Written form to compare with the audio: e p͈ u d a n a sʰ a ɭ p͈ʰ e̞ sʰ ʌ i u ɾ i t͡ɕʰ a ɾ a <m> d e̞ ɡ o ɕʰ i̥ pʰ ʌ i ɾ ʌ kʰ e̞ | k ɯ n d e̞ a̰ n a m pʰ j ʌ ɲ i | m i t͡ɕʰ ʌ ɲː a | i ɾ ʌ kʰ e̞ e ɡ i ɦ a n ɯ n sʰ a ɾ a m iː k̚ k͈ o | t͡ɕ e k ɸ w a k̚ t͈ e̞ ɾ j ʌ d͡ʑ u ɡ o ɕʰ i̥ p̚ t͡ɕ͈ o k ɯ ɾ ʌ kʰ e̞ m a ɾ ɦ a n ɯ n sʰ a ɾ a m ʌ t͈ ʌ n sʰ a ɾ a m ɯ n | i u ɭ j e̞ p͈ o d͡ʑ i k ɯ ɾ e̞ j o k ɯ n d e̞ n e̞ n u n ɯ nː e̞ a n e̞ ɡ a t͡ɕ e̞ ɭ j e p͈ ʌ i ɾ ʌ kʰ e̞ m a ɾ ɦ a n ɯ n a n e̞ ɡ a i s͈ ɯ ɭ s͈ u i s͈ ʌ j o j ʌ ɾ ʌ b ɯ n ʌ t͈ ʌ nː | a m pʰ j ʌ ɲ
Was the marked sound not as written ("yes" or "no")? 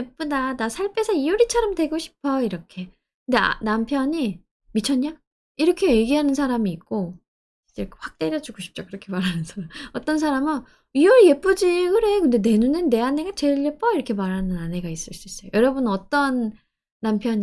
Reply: no